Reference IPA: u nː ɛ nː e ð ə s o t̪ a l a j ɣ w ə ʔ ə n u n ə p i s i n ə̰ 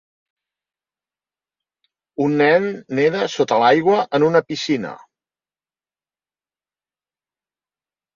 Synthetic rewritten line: u nː ɛ nː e ð ə s o t̪ ə l a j ɣ w ə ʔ ə n u n ə p i s i n ə̰